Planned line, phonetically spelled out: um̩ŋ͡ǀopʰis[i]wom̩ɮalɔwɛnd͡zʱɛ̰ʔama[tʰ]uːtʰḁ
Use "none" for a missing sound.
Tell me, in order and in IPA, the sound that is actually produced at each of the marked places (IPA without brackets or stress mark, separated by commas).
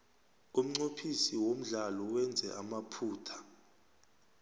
i, pʰ